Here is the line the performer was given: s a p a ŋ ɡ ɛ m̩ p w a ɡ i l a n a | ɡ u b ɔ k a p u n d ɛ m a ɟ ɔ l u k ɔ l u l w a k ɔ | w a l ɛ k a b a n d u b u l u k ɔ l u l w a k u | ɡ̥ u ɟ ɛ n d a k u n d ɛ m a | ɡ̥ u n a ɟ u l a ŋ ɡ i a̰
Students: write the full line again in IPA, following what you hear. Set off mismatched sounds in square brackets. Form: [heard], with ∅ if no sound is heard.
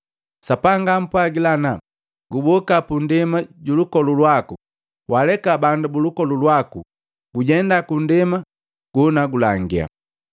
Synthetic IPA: s a p a ŋ ɡ [a] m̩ p w a ɡ i l a n a | ɡ u b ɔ k a p u n d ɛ m a ɟ [u] l u k ɔ l u l w a k [u] | w a l ɛ k a b a n d u b u l u k ɔ l u l w a k u | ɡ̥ u ɟ ɛ n d a k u n d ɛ m a | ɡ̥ u n a [ɡ] u l a ŋ ɡ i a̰